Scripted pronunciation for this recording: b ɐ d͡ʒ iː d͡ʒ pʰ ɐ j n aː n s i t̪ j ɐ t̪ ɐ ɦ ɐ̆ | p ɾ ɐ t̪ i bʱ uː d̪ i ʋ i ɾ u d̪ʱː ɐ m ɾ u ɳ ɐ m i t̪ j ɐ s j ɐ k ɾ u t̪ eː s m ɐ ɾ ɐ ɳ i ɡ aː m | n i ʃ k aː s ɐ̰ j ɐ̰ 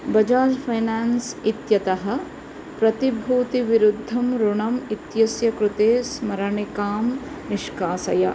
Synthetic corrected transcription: b ɐ d͡ʒ aː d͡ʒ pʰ ɐ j n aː n s i t̪ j ɐ t̪ ɐ ɦ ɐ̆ | p ɾ ɐ t̪ i bʱ uː t̪ i ʋ i ɾ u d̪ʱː ɐ m ɾ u ɳ ɐ m i t̪ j ɐ s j ɐ k ɾ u t̪ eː s m ɐ ɾ ɐ ɳ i k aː m | n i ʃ k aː s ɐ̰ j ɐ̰